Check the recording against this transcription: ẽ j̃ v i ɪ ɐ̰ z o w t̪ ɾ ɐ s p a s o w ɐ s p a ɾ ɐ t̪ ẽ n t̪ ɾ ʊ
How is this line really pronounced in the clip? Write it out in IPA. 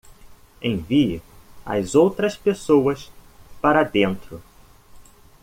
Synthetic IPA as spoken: ẽ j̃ v i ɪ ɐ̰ z o w t̪ ɾ ɐ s p e s o w ɐ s p a ɾ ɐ d̪ ẽ n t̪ ɾ ʊ